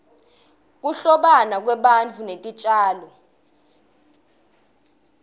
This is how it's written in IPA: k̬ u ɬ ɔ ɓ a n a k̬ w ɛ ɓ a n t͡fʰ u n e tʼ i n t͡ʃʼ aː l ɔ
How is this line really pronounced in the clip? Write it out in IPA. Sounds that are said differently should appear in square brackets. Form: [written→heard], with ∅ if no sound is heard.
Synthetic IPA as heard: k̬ u ɬ ɔ ɓ a n a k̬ w ɛ ɓ a n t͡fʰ u n e tʼ i [n→∅] t͡ʃʼ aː l ɔ